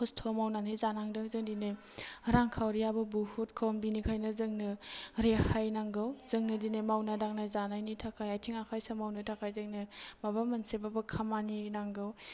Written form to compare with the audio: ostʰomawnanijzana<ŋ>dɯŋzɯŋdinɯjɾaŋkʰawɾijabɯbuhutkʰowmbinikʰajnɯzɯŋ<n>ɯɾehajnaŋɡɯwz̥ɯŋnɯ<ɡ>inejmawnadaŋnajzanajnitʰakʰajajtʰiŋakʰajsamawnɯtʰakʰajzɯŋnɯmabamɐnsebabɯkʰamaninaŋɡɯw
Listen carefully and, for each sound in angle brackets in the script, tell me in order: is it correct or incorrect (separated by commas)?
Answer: correct, correct, incorrect